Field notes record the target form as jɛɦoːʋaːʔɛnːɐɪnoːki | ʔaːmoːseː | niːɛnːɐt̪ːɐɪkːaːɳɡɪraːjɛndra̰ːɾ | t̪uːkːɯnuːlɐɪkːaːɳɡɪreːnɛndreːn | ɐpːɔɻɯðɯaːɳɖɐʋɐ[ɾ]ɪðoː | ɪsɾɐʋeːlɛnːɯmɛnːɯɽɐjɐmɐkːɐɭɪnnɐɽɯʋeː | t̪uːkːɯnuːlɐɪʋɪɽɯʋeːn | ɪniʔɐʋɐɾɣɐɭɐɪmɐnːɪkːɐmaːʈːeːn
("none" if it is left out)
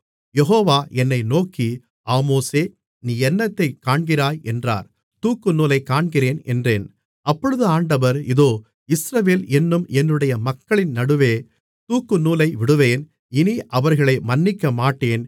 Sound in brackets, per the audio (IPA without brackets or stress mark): ɾ